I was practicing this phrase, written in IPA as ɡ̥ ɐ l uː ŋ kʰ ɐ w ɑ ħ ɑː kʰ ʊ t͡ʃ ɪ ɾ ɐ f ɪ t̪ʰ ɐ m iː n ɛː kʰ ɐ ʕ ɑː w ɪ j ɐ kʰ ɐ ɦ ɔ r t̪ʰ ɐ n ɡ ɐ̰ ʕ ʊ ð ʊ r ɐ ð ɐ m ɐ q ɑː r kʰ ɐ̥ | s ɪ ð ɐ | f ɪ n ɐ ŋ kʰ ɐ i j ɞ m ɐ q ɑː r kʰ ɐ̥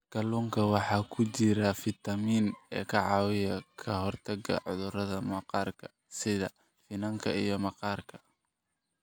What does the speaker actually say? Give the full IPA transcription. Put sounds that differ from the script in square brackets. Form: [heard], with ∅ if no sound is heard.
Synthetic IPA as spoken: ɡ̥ ɐ l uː ŋ kʰ ɐ w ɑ ħ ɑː kʰ ʊ t͡ʃ ɪ ɾ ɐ f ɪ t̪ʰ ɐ m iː n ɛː kʰ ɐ ʕ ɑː w ɪ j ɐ kʰ ɐ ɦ ɔ r t̪ʰ ɐ [∅] ɡ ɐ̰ ʕ ʊ ð ʊ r ɐ ð ɐ m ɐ q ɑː r kʰ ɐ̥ | s ɪ ð ɐ | f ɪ n ɐ ŋ kʰ ɐ i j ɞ m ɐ q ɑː r kʰ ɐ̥